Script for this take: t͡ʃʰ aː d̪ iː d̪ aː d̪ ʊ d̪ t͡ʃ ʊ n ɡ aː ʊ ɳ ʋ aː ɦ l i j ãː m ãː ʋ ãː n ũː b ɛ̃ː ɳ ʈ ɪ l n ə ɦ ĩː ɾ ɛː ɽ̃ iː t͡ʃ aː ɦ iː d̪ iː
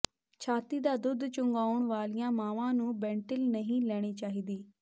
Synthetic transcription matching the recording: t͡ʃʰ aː t̪ iː d̪ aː d̪ ʊ d̪ t͡ʃ ʊ ŋ ɡ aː ʊ ɳ ʋ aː l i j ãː m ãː ʋ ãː n ũː b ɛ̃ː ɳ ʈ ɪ l n ə ɦ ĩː l ɛː ɽ̃ iː t͡ʃ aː ɦ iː d̪ iː

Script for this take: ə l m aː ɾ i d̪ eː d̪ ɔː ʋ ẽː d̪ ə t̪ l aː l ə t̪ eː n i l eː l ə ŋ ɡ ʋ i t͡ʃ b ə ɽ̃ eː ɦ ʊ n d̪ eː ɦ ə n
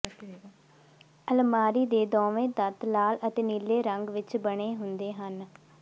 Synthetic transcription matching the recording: ə l m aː ɾ iː d̪ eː d̪ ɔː ʋ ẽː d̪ ə t̪ l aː l ə t̪ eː n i l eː ɾ ə ŋ ɡ ʋ ɪ t͡ʃ b ə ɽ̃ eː ɦ ʊ n d̪ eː ɦ ə n

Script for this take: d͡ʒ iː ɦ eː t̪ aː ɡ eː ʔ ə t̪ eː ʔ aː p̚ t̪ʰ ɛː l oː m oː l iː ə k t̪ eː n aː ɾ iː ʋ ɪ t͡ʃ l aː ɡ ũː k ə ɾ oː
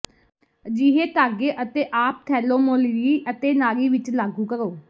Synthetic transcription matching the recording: d͡ʒ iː ɦ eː t̪ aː ɡ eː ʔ ə t̪ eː ʔ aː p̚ t̪ʰ ɛː l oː m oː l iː ə t̪ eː n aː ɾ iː ʋ ɪ t͡ʃ l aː ɡ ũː k ə ɾ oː

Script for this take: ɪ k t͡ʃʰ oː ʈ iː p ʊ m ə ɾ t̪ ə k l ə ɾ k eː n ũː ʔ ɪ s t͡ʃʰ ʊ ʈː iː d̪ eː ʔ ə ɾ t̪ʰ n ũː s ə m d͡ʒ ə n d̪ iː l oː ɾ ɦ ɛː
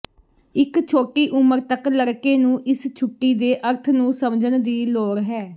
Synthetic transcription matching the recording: ɪ k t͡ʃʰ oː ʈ iː ʔ ʊ m ə ɾ t̪ ə k l ə ɾ k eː n ũː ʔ ɪ s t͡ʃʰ ʊ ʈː iː d̪ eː ʔ ə ɾ t̪ʰ n ũː s ə m d͡ʒ ə n d̪ iː l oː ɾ ɦ ɛː

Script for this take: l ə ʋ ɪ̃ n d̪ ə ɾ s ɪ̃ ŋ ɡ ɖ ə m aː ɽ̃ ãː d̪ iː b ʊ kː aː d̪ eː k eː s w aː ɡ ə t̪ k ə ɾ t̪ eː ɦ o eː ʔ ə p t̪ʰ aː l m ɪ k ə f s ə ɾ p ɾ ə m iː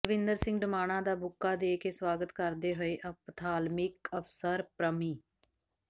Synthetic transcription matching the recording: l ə ʋ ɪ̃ n d̪ ə ɾ s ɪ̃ ŋ ɡ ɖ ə m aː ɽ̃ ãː d̪ aː b ʊ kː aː d̪ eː k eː s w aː ɡ ə t̪ k ə ɾ d̪ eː ɦ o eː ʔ ə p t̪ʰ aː l m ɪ k ə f s ə ɾ p ɾ ə m iː

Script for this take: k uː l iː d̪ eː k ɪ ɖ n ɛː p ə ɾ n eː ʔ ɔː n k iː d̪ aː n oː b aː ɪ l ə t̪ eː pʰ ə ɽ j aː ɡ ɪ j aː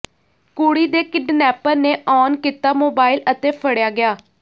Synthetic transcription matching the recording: k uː ɽ iː d̪ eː k ɪ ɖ n ɛː p ə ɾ n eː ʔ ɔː n k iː t̪ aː m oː b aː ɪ l ə t̪ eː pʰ ə ɽ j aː ɡ ɪ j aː

